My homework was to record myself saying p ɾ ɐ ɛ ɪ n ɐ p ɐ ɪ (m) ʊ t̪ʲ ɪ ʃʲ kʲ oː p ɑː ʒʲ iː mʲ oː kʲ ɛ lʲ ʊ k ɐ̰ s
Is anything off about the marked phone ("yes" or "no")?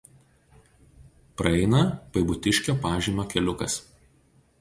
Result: yes